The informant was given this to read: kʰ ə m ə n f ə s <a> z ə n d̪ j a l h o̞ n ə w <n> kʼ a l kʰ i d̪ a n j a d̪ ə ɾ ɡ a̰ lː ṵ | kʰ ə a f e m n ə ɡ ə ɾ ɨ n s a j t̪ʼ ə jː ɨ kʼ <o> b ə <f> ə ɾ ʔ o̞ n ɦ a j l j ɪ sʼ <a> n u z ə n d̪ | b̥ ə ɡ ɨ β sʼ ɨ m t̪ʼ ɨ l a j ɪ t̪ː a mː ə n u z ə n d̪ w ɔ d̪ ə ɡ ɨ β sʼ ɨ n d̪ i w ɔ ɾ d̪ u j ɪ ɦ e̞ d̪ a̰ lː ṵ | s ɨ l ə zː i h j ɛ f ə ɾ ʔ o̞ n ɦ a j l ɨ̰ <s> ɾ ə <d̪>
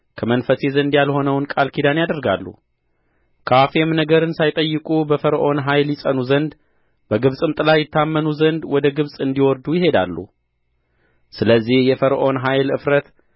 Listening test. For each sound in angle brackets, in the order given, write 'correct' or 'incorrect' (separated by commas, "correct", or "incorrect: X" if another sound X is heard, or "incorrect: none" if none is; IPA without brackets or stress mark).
incorrect: e, correct, incorrect: u, correct, incorrect: ə, incorrect: f, incorrect: t̪